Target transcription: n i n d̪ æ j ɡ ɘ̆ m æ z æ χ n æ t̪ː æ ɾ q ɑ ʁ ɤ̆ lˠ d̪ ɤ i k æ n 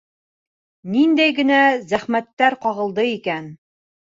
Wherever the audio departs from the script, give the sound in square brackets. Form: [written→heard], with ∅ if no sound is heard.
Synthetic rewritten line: n i n d̪ æ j ɡ ɘ̆ [m→n] æ z æ χ [n→m] æ t̪ː æ ɾ q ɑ ʁ ɤ̆ lˠ d̪ ɤ i k æ n